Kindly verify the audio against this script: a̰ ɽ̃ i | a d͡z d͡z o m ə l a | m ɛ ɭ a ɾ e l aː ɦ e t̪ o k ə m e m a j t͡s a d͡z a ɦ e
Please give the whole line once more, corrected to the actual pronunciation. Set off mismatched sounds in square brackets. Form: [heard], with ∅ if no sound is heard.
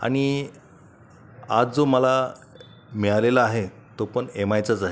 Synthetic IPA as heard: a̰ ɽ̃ i | a d͡z d͡z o m ə l a | m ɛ ɭ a [l] e l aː ɦ e t̪ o [p] ə [ɳ] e m a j t͡s a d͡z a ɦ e